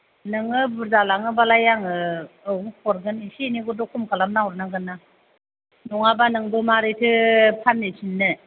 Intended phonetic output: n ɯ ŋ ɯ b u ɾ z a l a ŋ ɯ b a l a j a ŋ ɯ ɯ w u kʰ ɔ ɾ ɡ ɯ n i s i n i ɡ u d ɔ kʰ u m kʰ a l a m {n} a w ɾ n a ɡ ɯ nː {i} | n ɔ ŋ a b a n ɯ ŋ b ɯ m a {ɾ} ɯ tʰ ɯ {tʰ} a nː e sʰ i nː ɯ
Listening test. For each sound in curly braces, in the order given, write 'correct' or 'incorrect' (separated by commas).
correct, incorrect, correct, incorrect